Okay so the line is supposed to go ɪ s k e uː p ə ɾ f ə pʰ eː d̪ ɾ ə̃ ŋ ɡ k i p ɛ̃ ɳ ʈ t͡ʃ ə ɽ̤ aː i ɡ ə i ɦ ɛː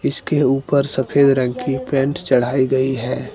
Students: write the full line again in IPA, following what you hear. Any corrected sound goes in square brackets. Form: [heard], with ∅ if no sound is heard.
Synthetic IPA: ɪ s k e uː p ə ɾ [s] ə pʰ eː d̪ ɾ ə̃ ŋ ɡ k i p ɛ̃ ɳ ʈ t͡ʃ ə ɽ̤ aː i ɡ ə i ɦ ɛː